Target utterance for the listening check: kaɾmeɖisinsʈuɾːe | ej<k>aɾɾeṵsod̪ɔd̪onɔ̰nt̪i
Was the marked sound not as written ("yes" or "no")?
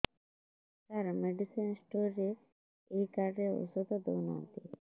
no